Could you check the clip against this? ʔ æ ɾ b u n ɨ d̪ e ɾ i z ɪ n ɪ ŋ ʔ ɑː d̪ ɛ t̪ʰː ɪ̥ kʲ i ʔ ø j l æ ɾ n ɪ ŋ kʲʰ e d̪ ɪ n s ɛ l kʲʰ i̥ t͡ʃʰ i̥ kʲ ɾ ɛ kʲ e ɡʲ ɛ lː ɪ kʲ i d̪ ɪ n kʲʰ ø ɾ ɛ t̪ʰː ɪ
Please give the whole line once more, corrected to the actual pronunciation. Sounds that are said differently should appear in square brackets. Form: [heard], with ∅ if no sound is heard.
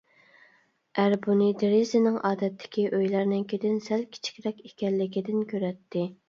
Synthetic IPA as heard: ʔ æ ɾ b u n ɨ d̪ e ɾ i z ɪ n ɪ ŋ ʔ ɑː d̪ ɛ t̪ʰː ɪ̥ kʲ i ʔ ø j l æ ɾ n ɪ ŋ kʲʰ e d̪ ɪ n s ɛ l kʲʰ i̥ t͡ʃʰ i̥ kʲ ɾ ɛ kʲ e [kʲ] ɛ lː ɪ kʲ i d̪ ɪ n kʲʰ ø ɾ ɛ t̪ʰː ɪ